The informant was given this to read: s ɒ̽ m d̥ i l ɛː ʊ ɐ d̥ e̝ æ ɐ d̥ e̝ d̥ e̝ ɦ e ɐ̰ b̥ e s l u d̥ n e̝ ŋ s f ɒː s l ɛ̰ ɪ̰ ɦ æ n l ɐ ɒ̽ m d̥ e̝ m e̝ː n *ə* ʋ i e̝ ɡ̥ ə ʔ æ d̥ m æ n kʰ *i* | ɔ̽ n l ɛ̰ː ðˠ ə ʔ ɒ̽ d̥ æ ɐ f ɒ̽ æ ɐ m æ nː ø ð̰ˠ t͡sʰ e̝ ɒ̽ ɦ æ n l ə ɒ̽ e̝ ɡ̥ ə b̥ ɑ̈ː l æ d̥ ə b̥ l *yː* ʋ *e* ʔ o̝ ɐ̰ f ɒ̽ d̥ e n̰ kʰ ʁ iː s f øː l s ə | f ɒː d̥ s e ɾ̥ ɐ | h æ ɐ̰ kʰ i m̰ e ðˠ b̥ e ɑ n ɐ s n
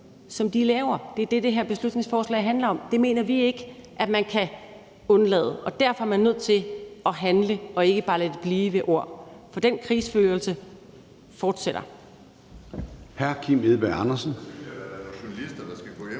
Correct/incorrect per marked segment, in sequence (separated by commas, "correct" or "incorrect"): incorrect, incorrect, incorrect, correct